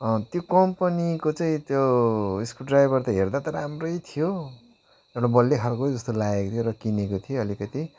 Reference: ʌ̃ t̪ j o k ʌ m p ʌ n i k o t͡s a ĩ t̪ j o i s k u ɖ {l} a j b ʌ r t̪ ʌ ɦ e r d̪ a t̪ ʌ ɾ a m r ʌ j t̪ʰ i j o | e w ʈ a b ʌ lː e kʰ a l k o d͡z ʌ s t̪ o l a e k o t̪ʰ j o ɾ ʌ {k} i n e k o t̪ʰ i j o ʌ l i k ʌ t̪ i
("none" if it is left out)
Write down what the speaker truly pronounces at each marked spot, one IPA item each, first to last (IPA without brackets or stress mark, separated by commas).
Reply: r, k